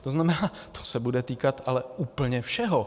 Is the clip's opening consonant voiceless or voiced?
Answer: voiceless